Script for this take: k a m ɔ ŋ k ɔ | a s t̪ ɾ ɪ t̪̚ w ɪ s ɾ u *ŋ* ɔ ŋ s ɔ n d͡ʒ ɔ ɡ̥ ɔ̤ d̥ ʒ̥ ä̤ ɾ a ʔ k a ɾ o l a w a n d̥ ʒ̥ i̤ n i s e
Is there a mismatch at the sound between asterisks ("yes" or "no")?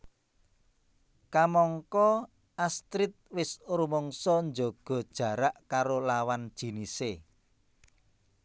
yes